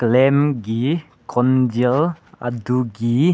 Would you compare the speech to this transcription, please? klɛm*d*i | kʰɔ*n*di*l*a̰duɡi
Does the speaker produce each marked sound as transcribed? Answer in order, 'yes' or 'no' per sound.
no, yes, yes

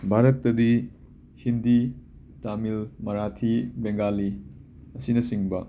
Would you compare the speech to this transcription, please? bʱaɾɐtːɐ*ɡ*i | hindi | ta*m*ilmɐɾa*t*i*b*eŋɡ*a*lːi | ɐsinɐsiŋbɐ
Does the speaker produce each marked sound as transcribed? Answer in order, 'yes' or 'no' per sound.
no, yes, no, yes, yes

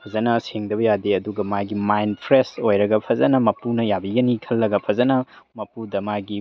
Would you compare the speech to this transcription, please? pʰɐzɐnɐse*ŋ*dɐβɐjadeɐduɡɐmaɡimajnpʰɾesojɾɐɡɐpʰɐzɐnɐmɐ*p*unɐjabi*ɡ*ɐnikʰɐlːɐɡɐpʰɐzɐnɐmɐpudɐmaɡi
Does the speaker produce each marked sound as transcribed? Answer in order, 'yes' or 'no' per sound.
yes, yes, yes

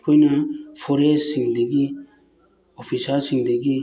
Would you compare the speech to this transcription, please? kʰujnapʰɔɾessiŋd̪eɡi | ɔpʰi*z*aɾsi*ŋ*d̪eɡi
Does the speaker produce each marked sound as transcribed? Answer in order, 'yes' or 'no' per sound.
no, yes

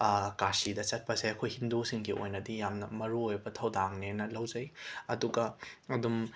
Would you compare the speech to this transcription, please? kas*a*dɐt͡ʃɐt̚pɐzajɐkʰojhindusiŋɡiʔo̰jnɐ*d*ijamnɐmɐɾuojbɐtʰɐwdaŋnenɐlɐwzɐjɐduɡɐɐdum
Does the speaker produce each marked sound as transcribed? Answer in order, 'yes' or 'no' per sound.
no, yes

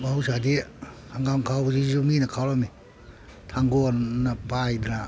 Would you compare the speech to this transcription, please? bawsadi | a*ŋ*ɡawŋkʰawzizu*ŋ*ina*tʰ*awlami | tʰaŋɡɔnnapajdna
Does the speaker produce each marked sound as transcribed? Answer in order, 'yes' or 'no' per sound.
yes, no, no

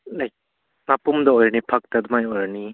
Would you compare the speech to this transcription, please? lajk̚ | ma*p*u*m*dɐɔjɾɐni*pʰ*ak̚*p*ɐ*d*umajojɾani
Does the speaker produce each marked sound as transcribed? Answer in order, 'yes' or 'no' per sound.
yes, yes, yes, no, yes

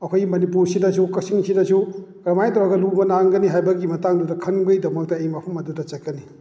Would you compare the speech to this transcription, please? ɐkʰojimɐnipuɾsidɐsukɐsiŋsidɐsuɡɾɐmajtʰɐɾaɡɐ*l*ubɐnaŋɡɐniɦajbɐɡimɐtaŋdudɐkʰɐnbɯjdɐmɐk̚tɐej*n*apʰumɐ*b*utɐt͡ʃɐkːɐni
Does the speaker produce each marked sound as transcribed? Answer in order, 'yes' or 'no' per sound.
yes, no, no

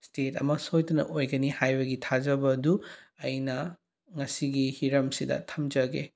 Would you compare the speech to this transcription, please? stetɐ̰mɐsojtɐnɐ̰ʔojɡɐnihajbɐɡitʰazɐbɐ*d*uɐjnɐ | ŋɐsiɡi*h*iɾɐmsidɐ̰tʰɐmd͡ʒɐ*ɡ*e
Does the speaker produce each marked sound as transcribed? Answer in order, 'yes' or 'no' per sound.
yes, yes, yes

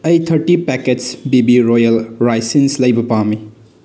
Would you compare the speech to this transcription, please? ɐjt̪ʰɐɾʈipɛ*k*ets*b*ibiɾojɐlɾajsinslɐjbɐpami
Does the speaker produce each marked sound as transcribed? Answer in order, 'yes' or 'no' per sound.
yes, yes

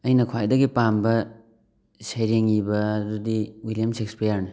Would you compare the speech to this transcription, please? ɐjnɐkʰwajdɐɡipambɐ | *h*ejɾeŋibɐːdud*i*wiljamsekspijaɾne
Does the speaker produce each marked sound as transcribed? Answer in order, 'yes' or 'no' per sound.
no, yes

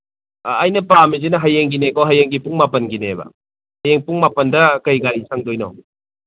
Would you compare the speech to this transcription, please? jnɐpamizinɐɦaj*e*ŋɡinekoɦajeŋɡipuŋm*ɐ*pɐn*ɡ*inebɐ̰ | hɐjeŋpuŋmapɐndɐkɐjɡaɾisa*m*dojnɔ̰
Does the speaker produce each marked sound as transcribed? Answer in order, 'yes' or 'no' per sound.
yes, no, yes, no

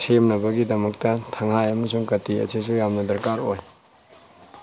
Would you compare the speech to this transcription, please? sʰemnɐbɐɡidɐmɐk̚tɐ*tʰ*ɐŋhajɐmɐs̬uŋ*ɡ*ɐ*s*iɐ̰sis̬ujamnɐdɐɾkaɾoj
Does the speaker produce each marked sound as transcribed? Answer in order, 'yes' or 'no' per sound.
yes, no, no

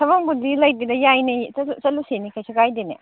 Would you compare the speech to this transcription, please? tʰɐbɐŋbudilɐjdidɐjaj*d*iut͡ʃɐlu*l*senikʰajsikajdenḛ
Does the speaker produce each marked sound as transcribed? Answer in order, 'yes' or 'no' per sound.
no, no

